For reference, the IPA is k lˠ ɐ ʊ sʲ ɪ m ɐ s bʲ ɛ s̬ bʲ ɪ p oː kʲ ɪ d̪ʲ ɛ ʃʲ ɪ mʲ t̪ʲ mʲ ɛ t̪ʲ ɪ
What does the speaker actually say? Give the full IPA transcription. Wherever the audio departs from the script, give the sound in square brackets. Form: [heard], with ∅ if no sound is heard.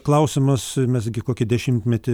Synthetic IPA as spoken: k lˠ ɐ ʊ sʲ ɪ m ɐ s [mʲ] ɛ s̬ [ɡʲ] ɪ [k] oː kʲ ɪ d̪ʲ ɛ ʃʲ ɪ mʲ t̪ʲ mʲ ɛ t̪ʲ ɪ